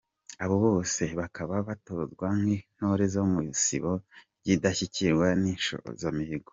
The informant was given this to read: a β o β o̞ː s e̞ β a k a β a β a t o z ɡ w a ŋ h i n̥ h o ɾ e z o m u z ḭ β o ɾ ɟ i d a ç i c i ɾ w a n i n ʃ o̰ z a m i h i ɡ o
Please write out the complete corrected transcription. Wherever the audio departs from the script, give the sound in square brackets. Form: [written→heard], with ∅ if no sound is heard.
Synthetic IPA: a β o β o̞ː s e̞ β a k a β a β a t o z ɡ w a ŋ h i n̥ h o ɾ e z o m u [z→s] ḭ β o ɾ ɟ i d a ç i c i ɾ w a n i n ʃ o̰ z a m i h i ɡ o